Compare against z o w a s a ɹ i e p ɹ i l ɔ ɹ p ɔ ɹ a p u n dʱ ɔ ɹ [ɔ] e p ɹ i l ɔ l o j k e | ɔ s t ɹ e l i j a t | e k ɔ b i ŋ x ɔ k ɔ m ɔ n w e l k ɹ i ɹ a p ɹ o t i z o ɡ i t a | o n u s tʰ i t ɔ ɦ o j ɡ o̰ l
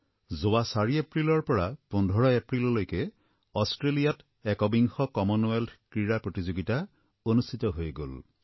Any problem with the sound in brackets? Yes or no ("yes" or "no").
no